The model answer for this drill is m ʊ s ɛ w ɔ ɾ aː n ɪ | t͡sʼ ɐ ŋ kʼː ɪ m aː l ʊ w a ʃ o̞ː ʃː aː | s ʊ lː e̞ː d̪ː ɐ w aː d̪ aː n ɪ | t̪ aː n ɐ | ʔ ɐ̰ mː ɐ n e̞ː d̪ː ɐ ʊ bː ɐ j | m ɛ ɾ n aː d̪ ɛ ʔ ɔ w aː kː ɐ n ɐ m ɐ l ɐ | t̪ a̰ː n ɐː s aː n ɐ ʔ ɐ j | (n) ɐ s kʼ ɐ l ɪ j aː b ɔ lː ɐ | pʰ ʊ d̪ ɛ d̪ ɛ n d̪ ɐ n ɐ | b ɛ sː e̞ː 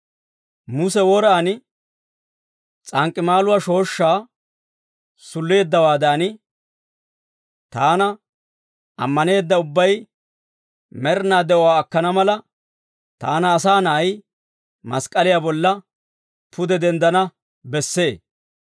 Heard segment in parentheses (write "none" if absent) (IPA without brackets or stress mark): m